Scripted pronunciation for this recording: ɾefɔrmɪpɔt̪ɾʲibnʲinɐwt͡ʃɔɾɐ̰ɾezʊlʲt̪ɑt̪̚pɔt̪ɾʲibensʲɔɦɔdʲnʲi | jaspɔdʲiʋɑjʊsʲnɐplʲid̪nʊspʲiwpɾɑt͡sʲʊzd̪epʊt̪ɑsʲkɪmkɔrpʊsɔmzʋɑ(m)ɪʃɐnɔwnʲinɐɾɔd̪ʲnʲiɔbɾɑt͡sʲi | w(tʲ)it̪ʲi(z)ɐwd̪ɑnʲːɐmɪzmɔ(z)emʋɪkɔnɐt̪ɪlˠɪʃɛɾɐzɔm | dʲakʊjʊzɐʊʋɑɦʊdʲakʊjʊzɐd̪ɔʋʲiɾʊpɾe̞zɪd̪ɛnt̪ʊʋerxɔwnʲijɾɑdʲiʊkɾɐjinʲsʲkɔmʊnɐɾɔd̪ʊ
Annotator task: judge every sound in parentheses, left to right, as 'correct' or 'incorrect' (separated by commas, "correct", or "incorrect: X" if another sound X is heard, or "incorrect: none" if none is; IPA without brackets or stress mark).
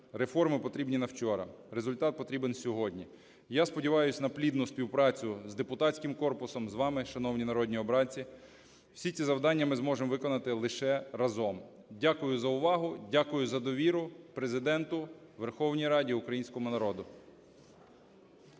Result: correct, incorrect: sʲ, correct, incorrect: ʒ